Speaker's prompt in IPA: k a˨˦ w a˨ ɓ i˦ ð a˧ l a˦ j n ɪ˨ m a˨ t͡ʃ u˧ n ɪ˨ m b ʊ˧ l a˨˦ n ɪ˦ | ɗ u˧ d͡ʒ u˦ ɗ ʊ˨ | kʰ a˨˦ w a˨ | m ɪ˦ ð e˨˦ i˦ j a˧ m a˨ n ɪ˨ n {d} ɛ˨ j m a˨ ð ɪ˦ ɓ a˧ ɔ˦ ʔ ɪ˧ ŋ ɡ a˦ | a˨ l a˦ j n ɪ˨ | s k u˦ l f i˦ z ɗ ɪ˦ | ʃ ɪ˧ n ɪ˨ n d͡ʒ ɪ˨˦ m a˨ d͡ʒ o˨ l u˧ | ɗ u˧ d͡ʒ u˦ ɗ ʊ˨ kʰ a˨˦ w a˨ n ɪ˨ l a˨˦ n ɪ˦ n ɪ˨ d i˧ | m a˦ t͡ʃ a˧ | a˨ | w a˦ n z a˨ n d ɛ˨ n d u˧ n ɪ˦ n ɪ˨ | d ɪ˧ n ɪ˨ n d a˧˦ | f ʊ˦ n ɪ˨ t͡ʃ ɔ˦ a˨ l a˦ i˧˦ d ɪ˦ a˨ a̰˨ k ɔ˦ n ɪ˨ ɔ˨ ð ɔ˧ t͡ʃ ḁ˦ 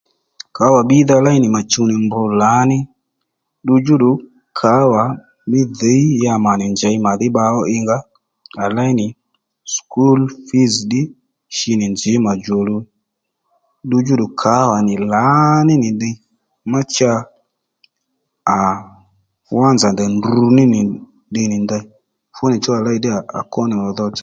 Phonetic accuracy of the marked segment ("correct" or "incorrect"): incorrect